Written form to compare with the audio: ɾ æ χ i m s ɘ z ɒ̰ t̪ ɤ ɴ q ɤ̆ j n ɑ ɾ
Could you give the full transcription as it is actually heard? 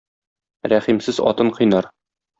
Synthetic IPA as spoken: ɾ æ χ i m s ɘ z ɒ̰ t̪ ɤ ɴ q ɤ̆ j n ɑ ɾ